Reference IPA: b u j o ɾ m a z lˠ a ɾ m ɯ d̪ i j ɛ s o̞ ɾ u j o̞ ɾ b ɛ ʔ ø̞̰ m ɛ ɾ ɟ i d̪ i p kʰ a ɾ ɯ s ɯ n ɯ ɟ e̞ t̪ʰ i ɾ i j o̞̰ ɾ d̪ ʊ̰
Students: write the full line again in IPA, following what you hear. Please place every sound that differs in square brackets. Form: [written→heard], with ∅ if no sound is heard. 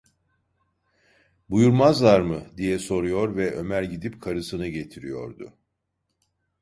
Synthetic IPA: b u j [o→u] ɾ m a z lˠ a ɾ m ɯ d̪ i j ɛ s o̞ ɾ u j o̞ ɾ [b→v] ɛ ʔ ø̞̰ m [ɛ→æ] ɾ ɟ i d̪ i p kʰ a ɾ ɯ s ɯ n ɯ ɟ e̞ t̪ʰ i ɾ i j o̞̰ ɾ d̪ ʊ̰